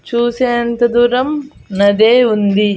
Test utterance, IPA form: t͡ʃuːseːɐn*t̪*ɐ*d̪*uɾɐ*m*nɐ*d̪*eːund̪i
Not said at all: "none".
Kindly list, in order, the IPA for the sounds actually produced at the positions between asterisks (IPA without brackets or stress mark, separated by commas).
t̪, d̪, m, d̪